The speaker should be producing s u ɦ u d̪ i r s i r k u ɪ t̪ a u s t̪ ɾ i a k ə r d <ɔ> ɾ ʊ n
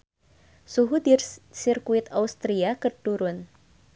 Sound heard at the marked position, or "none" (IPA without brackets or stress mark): u